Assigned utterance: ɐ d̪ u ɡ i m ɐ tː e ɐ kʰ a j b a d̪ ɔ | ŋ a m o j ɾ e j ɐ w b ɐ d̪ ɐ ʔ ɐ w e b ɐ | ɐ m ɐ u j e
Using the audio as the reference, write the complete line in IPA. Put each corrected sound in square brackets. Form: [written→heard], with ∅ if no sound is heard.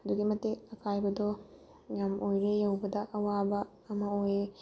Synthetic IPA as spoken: ɐ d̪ u ɡ i m ɐ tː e ɐ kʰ a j b [a→ɐ] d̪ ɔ | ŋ a m o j ɾ e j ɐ w b ɐ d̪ ɐ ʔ ɐ w [e→a] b ɐ | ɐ m ɐ [u→o] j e